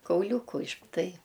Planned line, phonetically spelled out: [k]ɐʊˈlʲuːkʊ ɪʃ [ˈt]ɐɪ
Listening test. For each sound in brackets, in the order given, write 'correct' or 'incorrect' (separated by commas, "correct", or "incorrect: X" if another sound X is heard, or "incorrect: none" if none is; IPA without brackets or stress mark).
correct, correct